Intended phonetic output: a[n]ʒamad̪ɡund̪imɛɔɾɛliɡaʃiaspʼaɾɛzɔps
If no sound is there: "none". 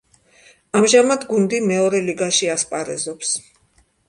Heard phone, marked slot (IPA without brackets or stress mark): m